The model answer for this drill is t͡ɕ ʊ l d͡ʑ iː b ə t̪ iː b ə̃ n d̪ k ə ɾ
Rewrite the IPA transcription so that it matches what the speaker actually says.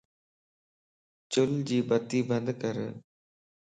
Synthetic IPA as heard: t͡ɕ ʊ l d͡ʑ iː b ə t̪ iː b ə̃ n d̪ k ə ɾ